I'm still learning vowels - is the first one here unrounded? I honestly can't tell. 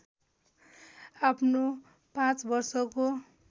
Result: yes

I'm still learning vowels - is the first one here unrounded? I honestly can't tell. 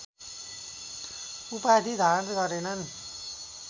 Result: no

